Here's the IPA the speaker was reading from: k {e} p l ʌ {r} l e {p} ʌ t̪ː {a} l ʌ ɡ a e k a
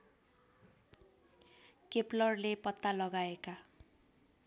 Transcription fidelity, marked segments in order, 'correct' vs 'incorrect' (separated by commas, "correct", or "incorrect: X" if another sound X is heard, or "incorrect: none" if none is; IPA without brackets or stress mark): correct, correct, correct, correct